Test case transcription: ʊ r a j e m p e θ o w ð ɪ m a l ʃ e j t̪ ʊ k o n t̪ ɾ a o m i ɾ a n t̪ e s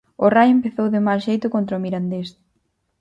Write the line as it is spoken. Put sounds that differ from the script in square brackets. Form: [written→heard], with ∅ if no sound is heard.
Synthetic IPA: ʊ r a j e m p e θ o w ð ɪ m a l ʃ e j t̪ ʊ k o n t̪ ɾ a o m i ɾ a n [t̪→d̪] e s